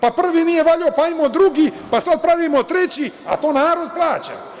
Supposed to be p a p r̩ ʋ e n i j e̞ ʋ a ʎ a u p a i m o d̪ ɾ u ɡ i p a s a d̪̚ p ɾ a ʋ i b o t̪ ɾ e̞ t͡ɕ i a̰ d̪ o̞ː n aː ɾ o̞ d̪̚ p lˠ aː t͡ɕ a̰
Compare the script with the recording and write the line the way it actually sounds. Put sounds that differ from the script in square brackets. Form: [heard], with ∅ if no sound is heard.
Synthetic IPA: p a p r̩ ʋ [i] n i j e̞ ʋ a ʎ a [o] p a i m o d̪ ɾ u ɡ i p a s a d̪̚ p ɾ a ʋ i [m] o t̪ ɾ e̞ t͡ɕ i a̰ [t̪] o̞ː n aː ɾ o̞ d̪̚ p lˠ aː t͡ɕ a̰